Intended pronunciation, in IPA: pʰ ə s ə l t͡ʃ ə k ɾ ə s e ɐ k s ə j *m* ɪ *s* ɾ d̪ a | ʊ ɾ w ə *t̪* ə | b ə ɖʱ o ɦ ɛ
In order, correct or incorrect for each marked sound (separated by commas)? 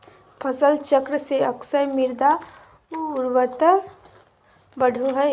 correct, incorrect, correct